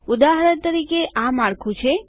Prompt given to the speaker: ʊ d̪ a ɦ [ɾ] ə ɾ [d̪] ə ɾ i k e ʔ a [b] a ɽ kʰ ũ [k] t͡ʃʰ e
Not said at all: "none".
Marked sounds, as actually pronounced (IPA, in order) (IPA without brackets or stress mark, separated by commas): ɾ, t̪, m, none